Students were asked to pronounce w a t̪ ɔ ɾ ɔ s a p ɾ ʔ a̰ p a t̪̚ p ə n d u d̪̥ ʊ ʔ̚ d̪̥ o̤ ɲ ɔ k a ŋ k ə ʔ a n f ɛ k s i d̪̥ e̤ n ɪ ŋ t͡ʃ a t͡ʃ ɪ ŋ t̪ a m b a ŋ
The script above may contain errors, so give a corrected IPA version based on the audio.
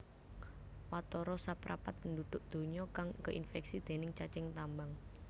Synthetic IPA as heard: w a t̪ ɔ ɾ ɔ s a p ɾ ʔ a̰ p a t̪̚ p ə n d u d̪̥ ʊ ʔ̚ d̪̥ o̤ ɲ ɔ k a ŋ k ə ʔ i n f ɛ k s i d̪̥ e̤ n ɪ ŋ t͡ʃ a t͡ʃ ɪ ŋ t̪ a m b a ŋ